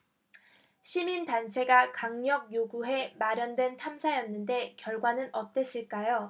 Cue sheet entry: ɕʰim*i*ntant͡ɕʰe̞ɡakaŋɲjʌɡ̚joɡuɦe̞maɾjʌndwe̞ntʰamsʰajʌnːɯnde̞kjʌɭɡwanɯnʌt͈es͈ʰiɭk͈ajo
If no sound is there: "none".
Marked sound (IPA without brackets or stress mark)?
i